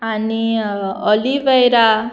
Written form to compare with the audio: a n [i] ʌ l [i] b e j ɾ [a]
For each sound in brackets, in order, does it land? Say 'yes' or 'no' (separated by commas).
yes, yes, yes